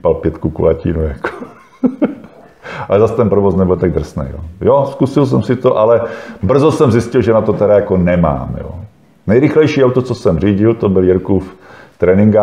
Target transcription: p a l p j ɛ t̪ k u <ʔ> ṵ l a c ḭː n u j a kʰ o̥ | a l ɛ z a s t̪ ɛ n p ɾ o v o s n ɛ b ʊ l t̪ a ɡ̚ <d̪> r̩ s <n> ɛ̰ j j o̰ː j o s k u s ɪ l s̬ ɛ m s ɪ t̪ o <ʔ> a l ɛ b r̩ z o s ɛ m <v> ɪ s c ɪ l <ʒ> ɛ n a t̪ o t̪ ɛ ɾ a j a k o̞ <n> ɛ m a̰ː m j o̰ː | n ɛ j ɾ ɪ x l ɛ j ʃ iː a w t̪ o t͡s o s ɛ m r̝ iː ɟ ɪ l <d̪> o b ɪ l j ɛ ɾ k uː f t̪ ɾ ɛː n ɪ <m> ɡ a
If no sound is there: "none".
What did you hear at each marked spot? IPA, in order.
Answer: k, d̪, n, ʔ, z, ʒ, n, t̪, ŋ

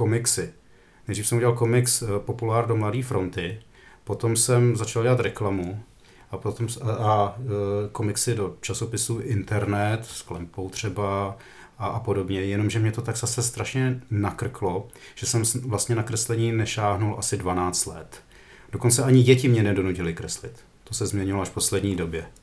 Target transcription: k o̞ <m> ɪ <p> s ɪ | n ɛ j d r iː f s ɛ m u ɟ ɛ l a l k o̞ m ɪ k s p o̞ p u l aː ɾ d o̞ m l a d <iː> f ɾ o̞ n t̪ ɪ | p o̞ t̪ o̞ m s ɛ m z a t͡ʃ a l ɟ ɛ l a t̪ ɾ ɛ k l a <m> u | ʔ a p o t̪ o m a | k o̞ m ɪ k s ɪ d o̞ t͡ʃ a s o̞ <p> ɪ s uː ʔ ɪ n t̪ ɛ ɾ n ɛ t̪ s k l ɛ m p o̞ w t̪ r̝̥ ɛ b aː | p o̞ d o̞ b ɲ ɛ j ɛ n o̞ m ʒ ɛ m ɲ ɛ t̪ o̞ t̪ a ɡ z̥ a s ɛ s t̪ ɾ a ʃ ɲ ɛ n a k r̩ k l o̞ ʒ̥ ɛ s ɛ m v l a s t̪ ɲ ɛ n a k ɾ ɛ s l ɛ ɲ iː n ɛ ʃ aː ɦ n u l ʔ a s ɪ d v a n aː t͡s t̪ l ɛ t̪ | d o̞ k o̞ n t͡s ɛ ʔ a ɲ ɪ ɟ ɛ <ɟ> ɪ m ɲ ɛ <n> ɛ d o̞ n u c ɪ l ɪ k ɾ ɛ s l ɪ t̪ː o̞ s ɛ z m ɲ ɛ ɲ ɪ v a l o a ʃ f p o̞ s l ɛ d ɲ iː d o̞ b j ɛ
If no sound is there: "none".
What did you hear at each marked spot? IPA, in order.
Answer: m, k, iː, m, p, c, n

